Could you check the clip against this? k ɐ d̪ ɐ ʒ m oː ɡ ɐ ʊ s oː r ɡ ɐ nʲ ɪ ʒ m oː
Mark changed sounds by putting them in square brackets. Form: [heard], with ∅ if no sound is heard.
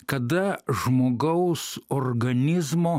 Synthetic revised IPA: k ɐ d̪ ɐ ʒ m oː ɡ ɐ ʊ s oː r ɡ ɐ nʲ ɪ [z] m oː